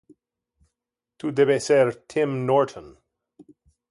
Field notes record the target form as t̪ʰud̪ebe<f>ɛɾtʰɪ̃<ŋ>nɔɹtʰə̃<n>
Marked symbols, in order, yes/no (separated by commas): no, no, yes